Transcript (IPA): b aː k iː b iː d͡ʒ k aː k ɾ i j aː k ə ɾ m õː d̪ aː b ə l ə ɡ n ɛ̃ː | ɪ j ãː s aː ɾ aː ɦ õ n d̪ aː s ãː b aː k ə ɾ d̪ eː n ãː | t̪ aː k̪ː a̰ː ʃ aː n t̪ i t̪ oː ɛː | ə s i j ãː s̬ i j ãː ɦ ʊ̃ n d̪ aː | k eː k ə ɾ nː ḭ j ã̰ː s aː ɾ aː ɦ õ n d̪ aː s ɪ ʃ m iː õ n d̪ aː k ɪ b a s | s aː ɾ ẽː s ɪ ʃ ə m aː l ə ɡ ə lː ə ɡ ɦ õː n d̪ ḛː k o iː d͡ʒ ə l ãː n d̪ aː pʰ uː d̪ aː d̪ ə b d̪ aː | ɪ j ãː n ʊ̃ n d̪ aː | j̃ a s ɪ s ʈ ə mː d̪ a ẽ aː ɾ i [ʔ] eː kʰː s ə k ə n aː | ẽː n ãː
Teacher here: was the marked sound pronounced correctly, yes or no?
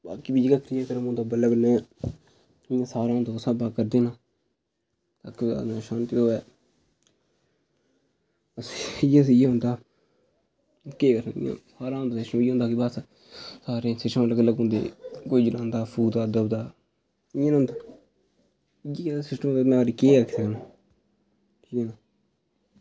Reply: no